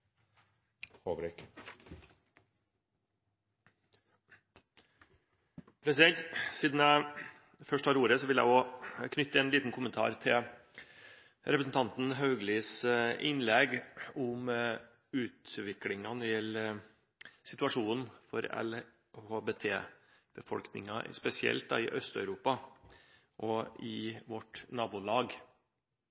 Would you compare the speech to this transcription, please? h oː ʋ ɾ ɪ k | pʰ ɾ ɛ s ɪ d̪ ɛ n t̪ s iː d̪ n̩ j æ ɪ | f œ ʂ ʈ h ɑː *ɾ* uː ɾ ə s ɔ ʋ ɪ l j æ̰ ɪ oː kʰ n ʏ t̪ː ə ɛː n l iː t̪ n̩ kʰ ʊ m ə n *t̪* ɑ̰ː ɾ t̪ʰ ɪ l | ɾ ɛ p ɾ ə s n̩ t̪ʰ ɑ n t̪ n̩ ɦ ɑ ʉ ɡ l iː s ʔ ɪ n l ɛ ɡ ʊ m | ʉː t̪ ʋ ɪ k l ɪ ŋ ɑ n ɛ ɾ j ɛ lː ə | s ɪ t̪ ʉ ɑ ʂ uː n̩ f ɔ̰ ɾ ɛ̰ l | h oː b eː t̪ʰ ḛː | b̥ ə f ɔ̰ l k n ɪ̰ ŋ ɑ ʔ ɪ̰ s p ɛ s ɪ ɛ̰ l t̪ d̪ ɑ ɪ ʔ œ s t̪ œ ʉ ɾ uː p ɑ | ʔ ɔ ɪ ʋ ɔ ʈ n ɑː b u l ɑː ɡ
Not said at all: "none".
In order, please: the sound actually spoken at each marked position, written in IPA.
ɾ, t̪ʰ

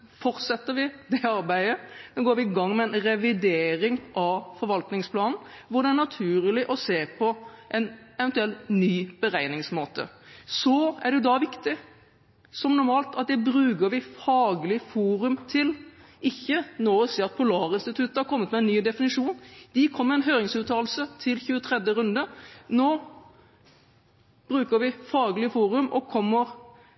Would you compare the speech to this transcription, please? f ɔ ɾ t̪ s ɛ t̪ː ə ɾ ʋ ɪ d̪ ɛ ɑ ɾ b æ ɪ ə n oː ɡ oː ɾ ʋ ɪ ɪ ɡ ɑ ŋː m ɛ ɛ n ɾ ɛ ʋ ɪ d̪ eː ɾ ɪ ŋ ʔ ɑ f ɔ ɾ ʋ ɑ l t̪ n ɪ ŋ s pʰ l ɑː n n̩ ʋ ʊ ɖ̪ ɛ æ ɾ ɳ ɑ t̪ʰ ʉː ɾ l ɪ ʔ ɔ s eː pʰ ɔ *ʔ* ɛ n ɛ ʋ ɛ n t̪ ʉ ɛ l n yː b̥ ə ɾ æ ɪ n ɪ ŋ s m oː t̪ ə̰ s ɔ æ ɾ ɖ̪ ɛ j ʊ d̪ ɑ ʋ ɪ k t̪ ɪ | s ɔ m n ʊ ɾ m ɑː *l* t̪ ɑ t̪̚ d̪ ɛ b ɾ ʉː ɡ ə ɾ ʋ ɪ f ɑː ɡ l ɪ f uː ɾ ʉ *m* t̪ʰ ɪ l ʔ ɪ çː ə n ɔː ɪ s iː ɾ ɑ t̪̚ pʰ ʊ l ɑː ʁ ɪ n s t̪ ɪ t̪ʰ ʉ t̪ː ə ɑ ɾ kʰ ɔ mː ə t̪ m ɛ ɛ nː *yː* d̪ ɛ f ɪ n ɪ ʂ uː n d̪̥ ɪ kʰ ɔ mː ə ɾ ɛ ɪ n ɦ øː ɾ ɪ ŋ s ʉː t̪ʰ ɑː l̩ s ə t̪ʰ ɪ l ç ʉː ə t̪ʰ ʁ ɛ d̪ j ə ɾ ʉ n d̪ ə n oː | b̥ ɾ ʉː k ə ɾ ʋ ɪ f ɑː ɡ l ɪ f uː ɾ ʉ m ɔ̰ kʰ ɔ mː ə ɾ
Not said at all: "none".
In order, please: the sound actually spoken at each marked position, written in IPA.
ʔ, l, m, yː

